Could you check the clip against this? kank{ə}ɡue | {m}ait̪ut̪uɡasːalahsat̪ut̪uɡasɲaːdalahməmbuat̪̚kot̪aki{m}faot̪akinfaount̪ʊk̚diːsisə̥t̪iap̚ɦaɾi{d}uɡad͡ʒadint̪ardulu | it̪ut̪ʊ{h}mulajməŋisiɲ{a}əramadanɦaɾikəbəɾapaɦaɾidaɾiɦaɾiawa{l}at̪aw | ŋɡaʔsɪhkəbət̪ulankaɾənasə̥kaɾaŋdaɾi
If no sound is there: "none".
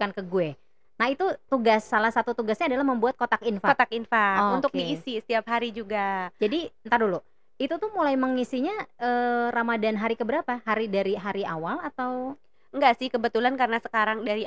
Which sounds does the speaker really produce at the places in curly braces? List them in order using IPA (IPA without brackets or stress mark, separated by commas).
ə, n, n, d͡ʒ, h, a, l